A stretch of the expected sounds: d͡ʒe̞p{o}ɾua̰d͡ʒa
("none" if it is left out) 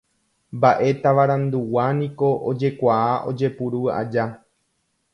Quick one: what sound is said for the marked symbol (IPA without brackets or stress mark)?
u